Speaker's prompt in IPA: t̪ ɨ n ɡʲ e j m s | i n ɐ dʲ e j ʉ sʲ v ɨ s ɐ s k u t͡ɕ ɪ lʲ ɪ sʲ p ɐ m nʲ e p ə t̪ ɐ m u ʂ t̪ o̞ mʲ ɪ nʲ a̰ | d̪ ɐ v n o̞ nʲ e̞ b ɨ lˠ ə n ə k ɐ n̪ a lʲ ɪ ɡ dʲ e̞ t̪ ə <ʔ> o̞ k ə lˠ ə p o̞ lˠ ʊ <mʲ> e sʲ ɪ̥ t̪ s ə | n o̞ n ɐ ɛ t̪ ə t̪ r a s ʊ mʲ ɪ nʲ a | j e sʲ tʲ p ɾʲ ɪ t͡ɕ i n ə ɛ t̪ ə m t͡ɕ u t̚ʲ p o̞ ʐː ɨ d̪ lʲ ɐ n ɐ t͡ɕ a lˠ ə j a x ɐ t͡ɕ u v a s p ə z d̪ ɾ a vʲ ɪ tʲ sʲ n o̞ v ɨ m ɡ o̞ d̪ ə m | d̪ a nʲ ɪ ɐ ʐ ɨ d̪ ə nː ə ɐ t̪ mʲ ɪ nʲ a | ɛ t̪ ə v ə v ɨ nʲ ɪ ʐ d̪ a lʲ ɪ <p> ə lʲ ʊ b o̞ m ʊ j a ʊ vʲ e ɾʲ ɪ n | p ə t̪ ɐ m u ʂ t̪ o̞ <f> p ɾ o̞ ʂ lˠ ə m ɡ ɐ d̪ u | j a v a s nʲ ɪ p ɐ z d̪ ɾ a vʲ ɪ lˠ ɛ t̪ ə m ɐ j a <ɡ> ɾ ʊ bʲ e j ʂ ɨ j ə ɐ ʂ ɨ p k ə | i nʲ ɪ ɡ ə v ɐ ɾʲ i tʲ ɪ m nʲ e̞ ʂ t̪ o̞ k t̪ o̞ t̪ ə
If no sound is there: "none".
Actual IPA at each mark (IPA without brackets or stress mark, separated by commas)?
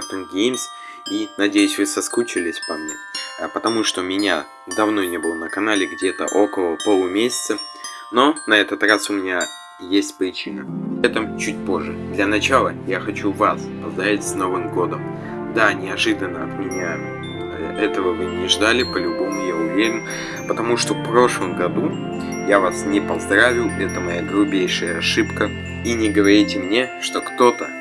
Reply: ʔ, mʲ, p, f, ɡ